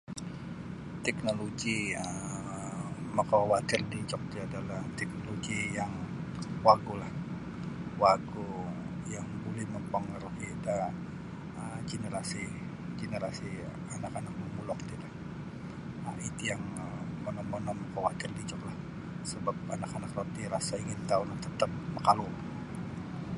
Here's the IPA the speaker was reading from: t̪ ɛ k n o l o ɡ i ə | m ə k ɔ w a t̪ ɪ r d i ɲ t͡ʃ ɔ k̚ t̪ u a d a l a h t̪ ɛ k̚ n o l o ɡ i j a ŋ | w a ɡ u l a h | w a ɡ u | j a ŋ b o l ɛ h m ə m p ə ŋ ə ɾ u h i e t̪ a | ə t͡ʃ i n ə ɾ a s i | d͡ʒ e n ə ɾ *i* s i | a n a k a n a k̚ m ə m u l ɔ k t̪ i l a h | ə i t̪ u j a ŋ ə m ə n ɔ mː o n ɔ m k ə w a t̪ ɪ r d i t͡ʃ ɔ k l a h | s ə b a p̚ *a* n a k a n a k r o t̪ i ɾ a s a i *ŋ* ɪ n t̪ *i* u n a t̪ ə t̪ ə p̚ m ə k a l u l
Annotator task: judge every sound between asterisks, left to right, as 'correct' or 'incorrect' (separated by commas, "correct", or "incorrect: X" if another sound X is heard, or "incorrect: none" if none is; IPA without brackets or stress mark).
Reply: incorrect: a, correct, correct, incorrect: a